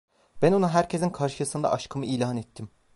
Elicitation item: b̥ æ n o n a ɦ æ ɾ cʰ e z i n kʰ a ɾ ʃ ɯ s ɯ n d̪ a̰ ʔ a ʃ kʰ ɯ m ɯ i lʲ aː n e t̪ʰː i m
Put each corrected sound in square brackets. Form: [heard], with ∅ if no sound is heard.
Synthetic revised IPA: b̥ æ n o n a ɦ æ ɾ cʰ e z i n kʰ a ɾ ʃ ɯ s ɯ n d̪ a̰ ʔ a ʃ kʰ ɯ m ɯ i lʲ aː n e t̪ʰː i m